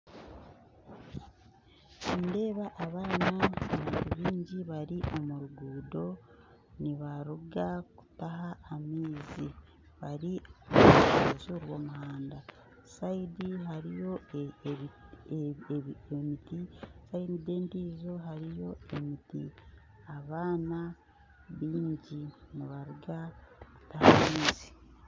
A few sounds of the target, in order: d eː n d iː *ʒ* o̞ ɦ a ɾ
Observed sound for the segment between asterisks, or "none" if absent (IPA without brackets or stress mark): z